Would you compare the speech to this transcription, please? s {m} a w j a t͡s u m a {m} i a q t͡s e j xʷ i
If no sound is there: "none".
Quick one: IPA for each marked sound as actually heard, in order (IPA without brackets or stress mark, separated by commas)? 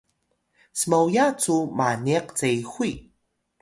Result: m, n